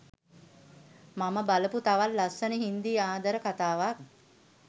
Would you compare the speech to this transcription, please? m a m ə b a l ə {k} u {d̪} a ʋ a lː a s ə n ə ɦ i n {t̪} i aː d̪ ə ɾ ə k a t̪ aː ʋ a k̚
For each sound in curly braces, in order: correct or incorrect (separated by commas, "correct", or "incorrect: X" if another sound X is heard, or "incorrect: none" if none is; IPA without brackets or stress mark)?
incorrect: p, incorrect: t̪, incorrect: d̪